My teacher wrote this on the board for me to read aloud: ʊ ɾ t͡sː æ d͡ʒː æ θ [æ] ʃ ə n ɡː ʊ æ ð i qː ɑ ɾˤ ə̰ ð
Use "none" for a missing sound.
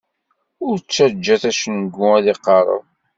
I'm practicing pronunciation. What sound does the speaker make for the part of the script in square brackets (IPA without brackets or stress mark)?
æ